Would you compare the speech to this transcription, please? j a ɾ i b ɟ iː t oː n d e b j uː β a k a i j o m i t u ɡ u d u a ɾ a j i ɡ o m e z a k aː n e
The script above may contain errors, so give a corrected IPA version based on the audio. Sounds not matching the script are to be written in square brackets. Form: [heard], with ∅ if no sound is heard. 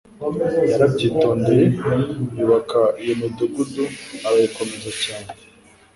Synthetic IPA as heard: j a ɾ [a] b ɟ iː t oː n d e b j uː β a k a i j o m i [d] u ɡ u d u a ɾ a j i [k] o m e z a [c] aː n e